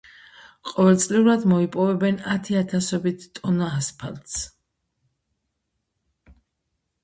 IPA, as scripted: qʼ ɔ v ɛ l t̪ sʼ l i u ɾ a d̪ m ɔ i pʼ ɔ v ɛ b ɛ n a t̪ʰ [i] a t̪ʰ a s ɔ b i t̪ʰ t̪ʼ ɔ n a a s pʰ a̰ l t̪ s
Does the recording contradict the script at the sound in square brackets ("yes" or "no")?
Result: no